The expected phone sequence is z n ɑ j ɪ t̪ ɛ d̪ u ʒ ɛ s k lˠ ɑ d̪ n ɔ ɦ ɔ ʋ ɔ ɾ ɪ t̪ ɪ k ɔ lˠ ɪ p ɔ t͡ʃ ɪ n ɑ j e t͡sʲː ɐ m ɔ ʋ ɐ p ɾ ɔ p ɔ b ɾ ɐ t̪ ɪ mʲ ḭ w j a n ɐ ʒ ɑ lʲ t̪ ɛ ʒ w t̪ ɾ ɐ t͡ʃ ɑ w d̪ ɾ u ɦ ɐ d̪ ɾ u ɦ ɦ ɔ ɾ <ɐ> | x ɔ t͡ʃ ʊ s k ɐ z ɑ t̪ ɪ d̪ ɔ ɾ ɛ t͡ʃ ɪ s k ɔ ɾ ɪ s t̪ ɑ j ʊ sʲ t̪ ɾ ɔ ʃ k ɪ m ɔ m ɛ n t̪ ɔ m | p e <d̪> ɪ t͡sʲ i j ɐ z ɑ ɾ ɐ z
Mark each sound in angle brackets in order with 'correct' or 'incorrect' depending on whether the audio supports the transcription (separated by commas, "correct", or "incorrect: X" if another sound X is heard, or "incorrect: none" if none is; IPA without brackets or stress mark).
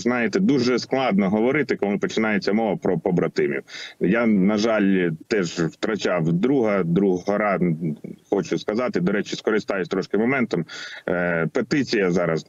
incorrect: ɑ, incorrect: t̪